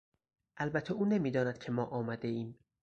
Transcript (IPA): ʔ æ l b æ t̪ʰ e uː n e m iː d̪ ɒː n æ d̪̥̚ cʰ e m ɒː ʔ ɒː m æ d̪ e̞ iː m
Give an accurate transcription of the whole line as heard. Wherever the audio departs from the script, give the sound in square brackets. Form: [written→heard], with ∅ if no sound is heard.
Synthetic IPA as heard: ʔ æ l b æ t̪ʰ e uː n e m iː d̪ ɒː n æ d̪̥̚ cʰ e m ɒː ʔ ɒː m æ d̪ e̞ iː m